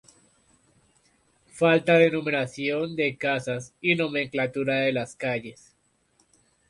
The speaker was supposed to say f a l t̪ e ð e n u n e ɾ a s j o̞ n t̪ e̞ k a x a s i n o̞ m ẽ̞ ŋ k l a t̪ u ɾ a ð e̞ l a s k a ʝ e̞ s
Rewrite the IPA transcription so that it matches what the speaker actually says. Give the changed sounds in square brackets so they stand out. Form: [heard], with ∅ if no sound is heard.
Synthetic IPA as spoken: f a l t̪ [a] ð e n u [m] e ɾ a s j o̞ n [d̪] e̞ k a [s] a s i n o̞ m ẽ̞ ŋ k l a t̪ u ɾ a ð e̞ l a s k a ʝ e̞ s